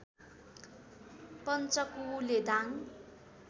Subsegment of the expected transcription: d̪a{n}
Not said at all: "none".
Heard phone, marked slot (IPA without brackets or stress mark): ŋ